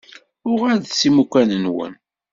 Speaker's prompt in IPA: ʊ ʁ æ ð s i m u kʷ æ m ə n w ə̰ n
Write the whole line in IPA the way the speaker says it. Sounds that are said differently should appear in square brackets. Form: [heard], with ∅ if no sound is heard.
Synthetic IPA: ʊ ʁ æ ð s i m u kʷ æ [n] ə n w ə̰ n